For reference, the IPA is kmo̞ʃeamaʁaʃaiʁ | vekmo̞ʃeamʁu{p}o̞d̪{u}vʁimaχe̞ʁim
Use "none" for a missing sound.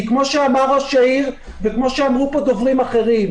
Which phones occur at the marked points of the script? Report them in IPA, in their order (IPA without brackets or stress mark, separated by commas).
p, o